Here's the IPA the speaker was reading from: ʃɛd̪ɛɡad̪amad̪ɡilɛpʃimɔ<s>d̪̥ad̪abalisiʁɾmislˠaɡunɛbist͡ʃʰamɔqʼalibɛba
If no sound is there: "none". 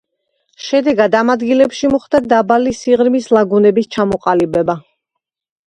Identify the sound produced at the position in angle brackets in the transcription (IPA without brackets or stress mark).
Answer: χ